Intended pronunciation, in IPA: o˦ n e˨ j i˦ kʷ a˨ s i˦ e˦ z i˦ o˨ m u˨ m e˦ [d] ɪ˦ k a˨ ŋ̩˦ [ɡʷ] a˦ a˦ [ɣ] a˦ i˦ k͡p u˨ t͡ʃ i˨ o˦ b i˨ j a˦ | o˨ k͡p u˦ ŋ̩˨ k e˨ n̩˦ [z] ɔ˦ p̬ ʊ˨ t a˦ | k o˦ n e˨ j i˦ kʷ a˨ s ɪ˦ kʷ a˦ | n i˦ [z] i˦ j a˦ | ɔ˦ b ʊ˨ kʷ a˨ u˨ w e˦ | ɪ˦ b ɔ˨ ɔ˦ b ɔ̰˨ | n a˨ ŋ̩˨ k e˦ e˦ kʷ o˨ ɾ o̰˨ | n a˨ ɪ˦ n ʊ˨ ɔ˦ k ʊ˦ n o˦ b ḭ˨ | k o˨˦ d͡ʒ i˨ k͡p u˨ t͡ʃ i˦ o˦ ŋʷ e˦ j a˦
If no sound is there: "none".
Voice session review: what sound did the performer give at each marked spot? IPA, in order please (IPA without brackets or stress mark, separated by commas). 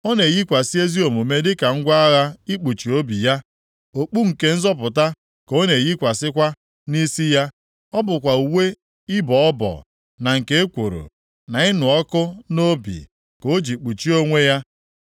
d, ɡʷ, ɣ, z, s